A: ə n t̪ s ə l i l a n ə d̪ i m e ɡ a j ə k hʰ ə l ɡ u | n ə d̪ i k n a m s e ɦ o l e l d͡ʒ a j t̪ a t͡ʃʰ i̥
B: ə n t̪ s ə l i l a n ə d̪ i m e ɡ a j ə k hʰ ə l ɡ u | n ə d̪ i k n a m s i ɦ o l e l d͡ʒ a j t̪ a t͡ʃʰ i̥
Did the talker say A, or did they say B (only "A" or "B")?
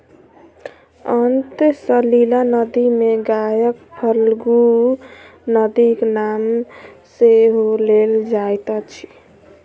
A